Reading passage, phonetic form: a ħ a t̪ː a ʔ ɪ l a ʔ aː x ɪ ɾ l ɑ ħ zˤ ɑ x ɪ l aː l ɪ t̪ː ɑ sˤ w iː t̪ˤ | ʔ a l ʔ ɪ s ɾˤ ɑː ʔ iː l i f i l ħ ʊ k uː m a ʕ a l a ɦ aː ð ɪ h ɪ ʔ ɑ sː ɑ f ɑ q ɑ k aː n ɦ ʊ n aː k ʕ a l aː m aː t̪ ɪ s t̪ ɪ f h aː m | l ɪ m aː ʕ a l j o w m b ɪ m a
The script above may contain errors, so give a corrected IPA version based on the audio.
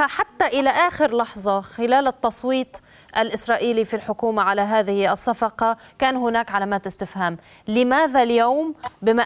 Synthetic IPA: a ħ a t̪ː a ʔ ɪ l a ʔ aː x ɪ ɾ l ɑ ħ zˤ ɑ x ɪ l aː l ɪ t̪ː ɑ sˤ w iː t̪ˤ | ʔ a l ʔ ɪ s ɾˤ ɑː ʔ iː l i f i l ħ ʊ k uː m a ʕ a l a ɦ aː ð ɪ h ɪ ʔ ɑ sː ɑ f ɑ q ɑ k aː n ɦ ʊ n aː k ʕ a l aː m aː t̪ ɪ s t̪ ɪ f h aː m | l ɪ m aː ð a l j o w m b ɪ m a